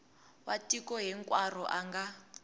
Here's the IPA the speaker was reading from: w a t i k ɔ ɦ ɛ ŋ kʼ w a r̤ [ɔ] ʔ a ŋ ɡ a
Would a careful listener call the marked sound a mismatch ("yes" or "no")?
no